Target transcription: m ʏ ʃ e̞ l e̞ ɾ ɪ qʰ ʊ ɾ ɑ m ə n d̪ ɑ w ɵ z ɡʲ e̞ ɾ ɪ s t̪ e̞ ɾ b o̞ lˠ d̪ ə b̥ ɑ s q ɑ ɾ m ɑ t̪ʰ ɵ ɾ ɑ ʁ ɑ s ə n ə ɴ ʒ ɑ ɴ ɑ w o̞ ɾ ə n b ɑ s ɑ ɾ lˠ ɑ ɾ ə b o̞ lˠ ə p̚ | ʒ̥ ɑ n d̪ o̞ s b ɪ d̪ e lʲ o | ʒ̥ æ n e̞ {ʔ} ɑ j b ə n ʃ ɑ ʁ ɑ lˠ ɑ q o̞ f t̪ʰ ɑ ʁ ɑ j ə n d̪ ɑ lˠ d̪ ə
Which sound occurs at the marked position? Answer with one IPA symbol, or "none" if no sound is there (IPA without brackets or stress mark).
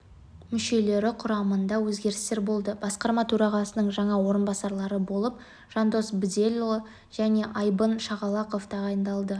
ʔ